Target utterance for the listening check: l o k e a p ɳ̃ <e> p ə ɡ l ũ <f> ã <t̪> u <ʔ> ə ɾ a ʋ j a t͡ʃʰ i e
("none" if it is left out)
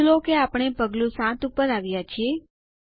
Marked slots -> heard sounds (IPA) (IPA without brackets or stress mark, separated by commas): e, s, t̪, p